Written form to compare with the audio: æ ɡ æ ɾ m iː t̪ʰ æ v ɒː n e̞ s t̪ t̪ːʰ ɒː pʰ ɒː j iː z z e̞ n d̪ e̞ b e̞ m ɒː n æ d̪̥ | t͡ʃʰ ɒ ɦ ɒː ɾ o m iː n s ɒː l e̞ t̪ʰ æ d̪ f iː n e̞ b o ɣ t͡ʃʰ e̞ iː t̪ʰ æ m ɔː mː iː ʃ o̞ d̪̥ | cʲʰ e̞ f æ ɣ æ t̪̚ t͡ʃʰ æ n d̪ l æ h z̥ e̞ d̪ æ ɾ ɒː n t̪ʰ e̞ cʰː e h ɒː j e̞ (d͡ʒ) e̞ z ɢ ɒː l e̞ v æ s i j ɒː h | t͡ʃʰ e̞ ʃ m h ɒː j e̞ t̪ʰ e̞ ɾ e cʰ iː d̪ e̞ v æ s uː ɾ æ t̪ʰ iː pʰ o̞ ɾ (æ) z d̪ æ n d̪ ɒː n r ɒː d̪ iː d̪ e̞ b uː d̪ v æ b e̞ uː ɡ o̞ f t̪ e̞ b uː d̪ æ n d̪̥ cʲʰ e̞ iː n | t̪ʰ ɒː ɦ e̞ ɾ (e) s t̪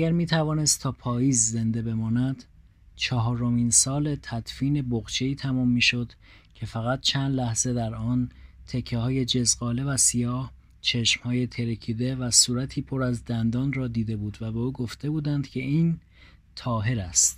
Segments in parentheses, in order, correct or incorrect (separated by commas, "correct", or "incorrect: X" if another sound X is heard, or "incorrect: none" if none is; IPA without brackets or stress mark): correct, correct, incorrect: æ